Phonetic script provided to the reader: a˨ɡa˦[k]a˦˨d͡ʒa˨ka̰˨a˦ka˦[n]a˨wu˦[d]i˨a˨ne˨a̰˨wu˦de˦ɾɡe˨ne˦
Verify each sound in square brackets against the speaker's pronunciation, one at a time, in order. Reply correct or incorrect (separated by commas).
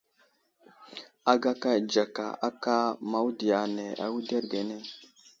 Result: correct, incorrect, correct